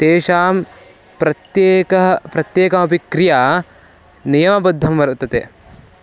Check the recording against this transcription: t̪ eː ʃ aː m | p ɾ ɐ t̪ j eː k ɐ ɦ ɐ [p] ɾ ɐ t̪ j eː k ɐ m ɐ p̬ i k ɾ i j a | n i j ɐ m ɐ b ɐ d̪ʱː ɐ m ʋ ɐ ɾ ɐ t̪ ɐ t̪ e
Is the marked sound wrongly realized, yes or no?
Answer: no